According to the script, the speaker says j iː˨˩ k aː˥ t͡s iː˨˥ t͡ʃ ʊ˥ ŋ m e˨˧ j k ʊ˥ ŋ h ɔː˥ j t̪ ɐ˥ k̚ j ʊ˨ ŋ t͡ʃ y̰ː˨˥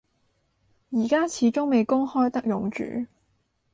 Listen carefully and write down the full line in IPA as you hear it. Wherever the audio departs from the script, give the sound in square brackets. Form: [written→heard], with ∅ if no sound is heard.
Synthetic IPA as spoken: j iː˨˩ k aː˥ [t͡s→t͡sʰ] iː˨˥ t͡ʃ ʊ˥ ŋ m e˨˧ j k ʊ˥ ŋ h ɔː˥ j t̪ ɐ˥ k̚ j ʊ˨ ŋ t͡ʃ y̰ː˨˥